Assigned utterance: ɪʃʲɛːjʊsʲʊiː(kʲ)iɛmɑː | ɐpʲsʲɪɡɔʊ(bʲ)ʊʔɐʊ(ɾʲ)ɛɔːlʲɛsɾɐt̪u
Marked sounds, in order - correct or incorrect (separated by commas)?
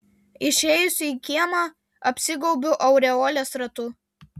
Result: correct, correct, correct